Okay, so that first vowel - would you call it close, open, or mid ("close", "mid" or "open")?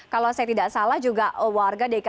open